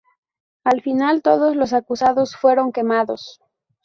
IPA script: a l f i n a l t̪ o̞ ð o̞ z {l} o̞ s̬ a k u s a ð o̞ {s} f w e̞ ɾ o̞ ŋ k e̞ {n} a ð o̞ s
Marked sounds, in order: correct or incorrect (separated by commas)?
correct, correct, incorrect